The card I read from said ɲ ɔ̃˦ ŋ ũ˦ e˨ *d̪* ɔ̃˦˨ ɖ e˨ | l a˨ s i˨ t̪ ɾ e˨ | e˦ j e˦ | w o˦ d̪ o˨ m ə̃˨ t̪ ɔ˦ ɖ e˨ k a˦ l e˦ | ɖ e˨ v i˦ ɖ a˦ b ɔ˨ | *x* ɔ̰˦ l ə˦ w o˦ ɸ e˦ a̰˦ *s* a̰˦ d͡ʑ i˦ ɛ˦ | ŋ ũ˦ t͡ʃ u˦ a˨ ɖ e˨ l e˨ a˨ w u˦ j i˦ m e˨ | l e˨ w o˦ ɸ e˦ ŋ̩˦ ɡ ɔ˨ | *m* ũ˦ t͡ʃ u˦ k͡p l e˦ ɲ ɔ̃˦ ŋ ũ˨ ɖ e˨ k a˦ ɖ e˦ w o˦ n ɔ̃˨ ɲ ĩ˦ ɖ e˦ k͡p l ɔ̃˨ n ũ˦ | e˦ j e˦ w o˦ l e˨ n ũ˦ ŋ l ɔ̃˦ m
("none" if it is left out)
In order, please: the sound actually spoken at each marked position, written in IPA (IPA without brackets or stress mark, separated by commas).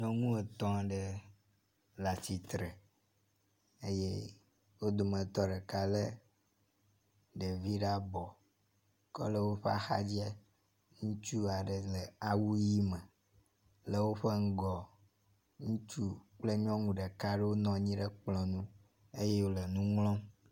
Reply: t̪, k, x, ŋ